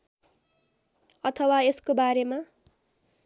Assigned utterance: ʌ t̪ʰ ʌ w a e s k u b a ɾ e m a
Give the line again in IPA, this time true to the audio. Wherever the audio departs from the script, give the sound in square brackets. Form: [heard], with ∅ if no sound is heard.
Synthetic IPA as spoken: ʌ t̪ʰ ʌ w a e s k [o] b a ɾ e m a